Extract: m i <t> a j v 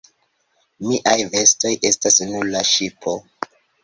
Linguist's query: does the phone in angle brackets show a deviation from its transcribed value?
yes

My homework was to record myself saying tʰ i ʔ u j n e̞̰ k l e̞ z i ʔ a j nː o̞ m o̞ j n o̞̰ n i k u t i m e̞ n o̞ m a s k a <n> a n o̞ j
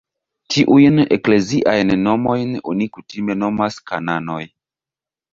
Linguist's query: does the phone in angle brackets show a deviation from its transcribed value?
no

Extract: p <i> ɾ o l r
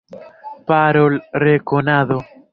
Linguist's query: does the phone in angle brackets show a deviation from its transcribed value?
yes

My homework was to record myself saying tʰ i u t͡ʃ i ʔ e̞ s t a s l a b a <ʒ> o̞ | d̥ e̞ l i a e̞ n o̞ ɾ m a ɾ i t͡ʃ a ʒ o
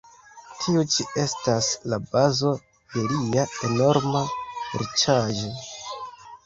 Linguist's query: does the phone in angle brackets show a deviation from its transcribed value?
yes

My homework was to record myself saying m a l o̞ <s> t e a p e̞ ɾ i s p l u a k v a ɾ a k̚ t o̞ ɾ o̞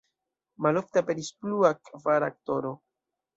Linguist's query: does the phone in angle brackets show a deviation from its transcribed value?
yes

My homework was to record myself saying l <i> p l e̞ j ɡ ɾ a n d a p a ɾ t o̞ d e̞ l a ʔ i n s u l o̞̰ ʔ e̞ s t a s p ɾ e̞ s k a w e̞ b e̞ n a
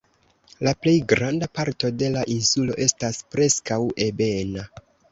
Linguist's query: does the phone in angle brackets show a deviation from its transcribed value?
yes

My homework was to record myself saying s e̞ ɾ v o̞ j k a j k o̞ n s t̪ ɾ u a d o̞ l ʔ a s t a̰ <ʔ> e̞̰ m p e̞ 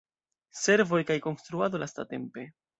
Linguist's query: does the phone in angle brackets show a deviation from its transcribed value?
yes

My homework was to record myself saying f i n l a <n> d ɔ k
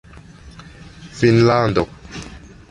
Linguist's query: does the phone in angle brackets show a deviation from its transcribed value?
no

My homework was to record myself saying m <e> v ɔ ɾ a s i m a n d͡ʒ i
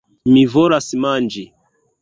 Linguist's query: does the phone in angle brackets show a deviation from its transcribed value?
yes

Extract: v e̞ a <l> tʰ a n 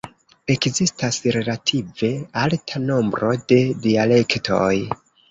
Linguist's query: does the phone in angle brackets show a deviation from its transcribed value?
no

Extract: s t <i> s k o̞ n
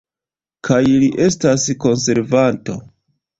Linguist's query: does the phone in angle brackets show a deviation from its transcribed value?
yes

